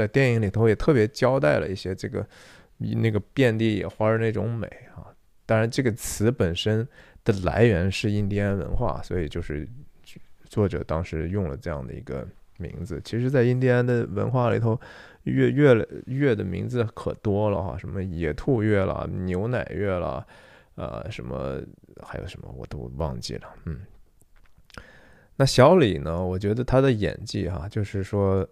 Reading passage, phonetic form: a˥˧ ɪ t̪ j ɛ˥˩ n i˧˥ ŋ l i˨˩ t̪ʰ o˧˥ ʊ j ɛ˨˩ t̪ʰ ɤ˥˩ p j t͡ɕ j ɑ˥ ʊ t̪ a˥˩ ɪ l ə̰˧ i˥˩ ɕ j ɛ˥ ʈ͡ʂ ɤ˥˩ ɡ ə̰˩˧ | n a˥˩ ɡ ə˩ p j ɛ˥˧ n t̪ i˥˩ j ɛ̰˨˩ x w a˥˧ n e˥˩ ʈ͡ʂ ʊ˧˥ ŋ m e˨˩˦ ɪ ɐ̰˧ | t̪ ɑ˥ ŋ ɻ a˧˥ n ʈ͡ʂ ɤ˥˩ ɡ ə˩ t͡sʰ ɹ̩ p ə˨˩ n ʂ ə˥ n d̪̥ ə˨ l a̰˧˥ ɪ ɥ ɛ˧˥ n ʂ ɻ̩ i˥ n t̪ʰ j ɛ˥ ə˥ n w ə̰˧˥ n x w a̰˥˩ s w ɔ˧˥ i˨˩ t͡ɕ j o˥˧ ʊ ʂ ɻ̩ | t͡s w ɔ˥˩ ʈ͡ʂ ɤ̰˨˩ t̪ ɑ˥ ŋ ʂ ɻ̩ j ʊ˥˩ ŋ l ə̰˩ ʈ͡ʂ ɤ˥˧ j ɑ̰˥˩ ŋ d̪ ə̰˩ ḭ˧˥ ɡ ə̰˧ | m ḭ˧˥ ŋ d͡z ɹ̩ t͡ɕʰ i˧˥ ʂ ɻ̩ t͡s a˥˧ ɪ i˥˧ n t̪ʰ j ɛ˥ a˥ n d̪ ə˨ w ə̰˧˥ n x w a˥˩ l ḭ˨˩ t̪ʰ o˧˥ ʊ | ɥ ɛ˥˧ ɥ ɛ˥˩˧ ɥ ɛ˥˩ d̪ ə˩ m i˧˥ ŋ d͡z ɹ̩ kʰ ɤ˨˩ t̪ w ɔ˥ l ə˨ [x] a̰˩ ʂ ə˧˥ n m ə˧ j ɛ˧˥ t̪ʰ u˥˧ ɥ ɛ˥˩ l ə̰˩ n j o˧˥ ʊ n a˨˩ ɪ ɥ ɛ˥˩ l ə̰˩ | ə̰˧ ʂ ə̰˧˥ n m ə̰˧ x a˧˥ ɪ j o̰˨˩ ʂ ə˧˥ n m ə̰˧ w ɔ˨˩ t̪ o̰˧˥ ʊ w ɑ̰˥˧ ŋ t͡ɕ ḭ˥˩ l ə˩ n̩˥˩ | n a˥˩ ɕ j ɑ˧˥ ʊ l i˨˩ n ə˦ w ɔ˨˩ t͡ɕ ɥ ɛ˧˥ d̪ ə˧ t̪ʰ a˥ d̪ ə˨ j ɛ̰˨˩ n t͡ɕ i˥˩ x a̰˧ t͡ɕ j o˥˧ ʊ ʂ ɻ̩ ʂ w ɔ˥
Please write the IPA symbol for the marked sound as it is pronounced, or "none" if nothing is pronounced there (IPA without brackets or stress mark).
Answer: x